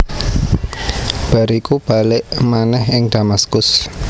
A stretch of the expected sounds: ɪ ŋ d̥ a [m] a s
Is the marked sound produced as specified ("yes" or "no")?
yes